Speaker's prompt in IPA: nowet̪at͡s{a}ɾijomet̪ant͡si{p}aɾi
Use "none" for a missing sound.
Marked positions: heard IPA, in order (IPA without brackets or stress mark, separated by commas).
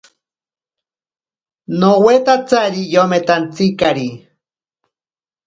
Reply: a, k